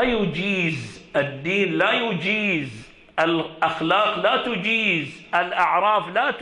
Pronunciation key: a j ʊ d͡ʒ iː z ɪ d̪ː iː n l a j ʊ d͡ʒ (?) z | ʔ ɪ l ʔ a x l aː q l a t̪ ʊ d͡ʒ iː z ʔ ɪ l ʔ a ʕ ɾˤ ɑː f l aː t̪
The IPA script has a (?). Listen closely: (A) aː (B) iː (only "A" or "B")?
B